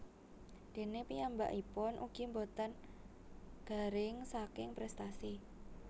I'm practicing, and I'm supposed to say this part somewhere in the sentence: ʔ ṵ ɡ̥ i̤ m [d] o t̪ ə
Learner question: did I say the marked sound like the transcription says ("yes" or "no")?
no